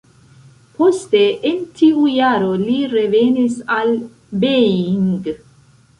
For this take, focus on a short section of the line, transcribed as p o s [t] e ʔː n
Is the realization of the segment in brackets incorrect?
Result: no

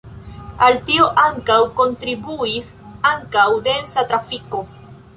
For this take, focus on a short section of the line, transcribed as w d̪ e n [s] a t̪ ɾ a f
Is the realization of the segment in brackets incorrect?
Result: no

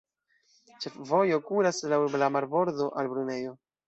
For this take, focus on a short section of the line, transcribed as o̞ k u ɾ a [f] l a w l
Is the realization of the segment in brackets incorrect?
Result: yes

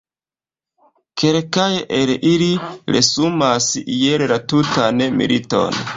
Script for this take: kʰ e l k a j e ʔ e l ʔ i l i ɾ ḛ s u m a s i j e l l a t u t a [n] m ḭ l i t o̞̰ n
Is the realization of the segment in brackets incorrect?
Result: no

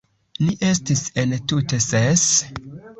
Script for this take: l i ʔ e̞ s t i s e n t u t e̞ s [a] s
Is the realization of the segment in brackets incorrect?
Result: yes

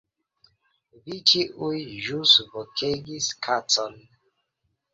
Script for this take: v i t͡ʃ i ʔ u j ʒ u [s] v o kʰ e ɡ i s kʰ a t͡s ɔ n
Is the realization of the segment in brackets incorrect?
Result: no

